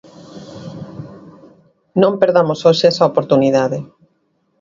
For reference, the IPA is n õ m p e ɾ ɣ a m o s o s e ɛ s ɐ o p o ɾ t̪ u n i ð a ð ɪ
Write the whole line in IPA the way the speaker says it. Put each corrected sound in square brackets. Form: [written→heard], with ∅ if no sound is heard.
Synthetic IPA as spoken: n õ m p e ɾ [ɣ→ð] a m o s o [s→ʃ] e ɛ s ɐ o p o ɾ t̪ u n i ð a ð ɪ